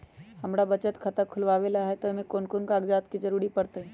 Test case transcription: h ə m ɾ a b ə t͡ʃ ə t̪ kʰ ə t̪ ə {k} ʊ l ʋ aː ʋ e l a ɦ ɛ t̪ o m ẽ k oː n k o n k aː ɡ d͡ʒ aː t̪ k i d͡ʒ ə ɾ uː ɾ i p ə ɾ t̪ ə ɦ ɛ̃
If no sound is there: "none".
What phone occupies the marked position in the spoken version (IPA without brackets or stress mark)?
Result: kʰ